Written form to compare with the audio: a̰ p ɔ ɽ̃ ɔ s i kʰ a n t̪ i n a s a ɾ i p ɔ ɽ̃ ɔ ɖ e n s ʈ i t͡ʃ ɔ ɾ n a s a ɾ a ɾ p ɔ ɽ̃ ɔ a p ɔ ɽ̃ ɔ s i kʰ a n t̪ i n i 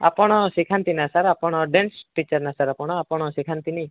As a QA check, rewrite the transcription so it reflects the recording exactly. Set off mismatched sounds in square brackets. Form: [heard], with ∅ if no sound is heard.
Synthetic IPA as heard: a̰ p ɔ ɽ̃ ɔ s i kʰ a n t̪ i n a s a ɾ [a] p ɔ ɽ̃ ɔ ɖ e n s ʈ i t͡ʃ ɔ ɾ n a s a ɾ a [∅] p ɔ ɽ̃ ɔ a p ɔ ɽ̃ ɔ s i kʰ a n t̪ i n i